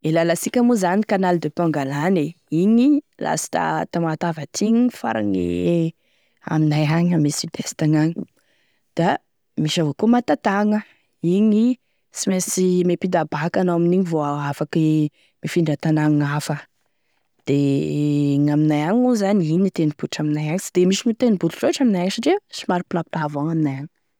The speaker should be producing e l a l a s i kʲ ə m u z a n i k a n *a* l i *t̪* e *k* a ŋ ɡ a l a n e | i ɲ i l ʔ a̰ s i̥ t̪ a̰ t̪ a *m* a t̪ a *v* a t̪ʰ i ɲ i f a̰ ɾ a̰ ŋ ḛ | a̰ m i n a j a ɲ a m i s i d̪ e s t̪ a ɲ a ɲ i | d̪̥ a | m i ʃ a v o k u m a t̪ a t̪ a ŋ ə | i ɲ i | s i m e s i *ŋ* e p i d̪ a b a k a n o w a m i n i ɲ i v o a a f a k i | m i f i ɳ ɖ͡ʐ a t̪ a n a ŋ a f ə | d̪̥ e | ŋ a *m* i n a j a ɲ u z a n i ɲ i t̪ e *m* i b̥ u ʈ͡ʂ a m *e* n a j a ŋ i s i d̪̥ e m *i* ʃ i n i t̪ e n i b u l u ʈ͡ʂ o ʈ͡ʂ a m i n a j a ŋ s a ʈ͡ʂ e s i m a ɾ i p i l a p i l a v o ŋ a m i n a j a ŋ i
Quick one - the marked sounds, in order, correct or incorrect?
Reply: correct, incorrect, incorrect, correct, correct, incorrect, correct, incorrect, incorrect, correct

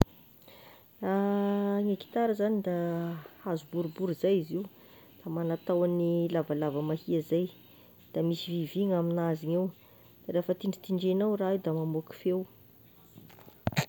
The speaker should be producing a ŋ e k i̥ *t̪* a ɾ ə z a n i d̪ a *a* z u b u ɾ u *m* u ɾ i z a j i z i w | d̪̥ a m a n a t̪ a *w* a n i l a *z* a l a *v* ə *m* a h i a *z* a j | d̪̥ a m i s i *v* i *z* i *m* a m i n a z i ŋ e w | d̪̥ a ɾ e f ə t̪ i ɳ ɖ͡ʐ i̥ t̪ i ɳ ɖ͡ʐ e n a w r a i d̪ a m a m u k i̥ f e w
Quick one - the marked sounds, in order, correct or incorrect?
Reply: correct, correct, incorrect, correct, incorrect, correct, correct, correct, correct, incorrect, incorrect

